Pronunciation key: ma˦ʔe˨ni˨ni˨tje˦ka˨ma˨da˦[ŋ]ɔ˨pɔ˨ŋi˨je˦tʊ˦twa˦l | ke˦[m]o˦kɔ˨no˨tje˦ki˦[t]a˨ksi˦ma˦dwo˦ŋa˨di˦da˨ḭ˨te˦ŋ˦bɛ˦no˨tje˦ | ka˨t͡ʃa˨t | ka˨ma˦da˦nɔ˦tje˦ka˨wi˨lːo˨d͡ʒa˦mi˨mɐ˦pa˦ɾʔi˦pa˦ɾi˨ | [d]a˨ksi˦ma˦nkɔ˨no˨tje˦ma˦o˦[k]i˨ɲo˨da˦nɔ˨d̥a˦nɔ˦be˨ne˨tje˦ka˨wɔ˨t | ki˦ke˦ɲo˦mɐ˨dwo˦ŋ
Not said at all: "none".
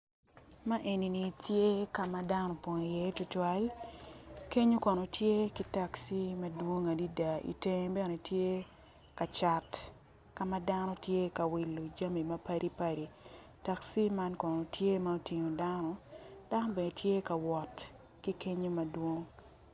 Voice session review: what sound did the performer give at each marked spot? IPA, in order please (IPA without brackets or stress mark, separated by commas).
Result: n, ɲ, t, t, t